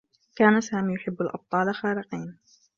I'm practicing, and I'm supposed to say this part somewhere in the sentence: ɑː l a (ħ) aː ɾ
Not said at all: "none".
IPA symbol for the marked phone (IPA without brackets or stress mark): x